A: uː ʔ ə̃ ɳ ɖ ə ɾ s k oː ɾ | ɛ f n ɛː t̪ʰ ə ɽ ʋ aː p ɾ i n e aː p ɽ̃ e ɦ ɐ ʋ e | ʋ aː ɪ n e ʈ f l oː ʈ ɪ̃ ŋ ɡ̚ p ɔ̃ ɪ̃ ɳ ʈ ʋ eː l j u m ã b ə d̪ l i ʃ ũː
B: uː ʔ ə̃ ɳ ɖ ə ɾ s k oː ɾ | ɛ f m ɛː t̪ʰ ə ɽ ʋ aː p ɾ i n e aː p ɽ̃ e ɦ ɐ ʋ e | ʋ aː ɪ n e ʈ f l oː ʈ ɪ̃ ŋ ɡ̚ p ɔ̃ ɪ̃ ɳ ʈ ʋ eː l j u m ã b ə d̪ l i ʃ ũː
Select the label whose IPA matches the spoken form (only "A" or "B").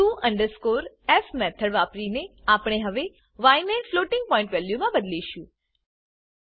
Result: B